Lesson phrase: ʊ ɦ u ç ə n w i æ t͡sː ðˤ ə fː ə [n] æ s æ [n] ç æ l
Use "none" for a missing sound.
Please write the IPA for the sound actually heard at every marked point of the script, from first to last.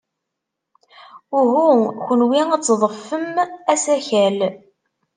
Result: m, none

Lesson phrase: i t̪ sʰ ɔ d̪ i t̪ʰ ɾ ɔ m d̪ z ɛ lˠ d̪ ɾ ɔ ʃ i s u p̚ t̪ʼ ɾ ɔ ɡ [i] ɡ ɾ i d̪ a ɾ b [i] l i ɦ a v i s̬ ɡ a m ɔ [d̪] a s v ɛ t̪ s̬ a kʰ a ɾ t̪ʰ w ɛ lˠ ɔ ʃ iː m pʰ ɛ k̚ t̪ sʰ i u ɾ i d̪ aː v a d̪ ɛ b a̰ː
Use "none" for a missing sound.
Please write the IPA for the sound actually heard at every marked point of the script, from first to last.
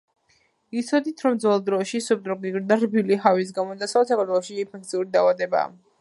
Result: i, i, d̪

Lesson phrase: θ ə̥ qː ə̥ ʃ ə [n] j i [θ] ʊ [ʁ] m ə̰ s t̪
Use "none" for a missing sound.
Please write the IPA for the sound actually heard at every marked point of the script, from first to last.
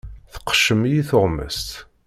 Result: m, θ, ʁ

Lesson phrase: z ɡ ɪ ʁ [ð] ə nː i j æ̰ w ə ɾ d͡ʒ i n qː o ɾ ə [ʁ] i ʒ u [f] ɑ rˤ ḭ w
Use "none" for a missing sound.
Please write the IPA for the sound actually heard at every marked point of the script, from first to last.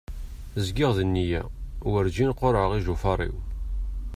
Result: ð, ʁ, f

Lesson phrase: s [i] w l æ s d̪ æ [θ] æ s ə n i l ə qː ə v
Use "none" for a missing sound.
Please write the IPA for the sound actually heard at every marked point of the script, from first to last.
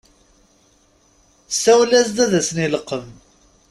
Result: æ, ð

